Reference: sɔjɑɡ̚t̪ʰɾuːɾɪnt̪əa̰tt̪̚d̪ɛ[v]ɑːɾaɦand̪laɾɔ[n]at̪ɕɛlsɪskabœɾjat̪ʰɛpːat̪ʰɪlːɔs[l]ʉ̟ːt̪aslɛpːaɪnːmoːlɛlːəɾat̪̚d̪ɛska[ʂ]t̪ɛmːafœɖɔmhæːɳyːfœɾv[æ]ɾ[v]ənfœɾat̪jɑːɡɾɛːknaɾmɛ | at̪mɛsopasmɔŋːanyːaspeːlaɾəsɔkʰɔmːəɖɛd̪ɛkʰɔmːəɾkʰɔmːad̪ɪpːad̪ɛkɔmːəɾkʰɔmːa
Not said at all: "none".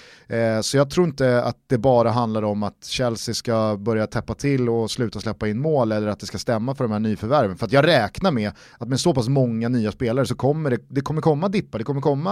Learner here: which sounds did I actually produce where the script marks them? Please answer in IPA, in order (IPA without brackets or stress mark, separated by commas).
b, m, l, s, æ, v